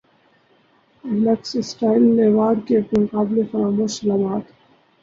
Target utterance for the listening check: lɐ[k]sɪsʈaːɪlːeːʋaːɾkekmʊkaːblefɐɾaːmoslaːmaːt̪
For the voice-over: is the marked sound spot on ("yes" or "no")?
yes